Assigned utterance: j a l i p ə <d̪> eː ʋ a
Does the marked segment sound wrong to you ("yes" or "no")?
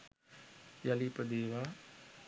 no